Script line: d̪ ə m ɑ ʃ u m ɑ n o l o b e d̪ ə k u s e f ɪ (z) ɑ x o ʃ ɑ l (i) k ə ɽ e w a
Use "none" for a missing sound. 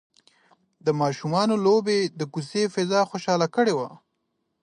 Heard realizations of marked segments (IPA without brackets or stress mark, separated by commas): z, a